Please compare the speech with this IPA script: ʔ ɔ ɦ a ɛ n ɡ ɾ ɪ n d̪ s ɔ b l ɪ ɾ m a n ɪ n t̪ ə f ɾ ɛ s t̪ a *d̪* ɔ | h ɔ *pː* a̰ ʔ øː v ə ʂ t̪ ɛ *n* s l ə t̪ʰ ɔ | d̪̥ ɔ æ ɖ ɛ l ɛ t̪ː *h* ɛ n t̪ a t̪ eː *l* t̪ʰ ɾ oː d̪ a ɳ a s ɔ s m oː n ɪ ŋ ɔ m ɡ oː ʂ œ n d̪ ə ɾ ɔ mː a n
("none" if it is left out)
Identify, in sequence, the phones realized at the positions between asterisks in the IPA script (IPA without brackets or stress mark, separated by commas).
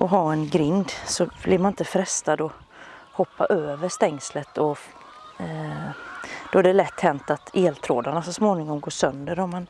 d̪, pː, ŋ, h, l